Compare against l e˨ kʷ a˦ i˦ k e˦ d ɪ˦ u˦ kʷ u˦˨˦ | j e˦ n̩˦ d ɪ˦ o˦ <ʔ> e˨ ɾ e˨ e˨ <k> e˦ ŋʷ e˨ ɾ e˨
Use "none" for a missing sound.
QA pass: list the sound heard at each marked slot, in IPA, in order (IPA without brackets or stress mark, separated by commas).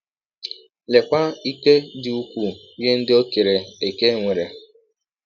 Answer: k, k